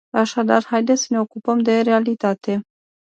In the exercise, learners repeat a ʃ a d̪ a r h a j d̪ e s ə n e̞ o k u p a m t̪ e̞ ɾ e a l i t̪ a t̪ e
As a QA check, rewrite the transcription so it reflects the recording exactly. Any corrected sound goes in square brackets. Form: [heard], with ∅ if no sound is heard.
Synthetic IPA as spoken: a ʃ a d̪ a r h a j d̪ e s ə n e̞ o k u p [ə] m [d̪] e̞ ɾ e a l i t̪ a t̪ e